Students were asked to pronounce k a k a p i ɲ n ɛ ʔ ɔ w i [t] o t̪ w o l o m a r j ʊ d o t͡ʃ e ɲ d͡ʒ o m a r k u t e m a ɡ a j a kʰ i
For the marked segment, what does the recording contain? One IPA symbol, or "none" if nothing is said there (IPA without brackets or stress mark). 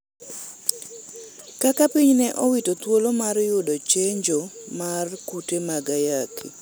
t